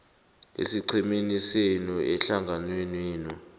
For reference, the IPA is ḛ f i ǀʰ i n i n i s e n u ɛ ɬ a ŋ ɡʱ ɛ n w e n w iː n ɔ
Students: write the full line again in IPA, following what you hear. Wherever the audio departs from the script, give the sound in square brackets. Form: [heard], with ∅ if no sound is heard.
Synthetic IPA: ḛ [s] i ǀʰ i [m] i n i s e n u ɛ ɬ a ŋ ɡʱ [a] n w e n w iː n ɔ

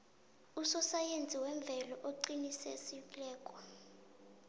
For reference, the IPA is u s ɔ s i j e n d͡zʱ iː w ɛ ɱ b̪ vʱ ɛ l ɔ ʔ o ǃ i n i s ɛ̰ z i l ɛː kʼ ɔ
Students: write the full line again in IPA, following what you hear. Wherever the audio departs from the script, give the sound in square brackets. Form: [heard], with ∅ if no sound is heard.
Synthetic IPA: u s ɔ s [a] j e n d͡zʱ [i] w ɛ ɱ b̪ vʱ ɛ l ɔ ʔ o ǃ i n i s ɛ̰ [s] i l ɛː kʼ ɔ

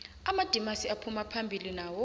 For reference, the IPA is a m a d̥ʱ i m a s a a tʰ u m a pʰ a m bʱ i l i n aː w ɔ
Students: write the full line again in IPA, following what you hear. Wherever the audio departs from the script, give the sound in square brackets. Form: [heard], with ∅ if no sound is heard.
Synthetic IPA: a m a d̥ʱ i m a s [i] a [pʰ] u m a pʰ a m bʱ i l i n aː w ɔ

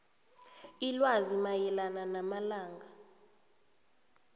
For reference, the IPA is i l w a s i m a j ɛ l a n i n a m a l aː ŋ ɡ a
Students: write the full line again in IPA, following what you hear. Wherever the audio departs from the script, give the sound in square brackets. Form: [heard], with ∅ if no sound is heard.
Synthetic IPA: i l w a [z] i m a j ɛ l a n [a] n a m a l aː ŋ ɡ a

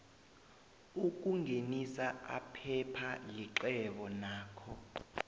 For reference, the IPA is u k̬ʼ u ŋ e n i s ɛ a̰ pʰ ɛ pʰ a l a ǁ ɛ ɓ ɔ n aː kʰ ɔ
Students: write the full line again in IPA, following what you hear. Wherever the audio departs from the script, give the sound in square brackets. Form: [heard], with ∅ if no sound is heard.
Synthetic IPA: u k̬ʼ u ŋ e n i s [a] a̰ pʰ ɛ pʰ a l [i] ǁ ɛ ɓ ɔ n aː kʰ ɔ

